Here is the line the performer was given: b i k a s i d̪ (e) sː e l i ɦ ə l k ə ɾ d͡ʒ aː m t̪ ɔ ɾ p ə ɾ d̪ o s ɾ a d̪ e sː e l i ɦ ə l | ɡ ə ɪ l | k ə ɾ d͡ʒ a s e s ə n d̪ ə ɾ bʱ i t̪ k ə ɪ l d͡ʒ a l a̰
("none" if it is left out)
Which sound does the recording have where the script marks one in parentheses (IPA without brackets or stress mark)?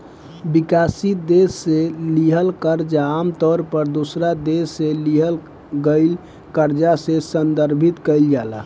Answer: e